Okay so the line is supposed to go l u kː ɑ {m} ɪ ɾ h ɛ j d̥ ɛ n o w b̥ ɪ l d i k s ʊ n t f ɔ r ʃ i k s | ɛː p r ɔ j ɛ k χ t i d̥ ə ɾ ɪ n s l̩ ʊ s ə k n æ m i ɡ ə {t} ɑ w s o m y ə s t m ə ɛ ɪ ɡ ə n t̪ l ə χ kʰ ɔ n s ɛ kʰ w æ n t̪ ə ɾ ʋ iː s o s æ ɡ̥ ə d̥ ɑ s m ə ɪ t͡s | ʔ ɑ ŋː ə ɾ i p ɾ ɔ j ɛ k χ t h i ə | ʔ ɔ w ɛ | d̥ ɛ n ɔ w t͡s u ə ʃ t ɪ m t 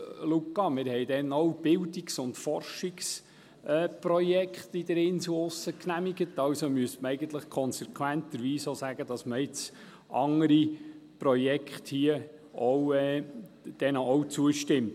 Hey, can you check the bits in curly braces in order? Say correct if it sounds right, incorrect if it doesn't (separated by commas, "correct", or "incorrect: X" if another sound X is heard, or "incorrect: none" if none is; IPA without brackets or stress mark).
correct, correct